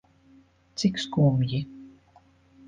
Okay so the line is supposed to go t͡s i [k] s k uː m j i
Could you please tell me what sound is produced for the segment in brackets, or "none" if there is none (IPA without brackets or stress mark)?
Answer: k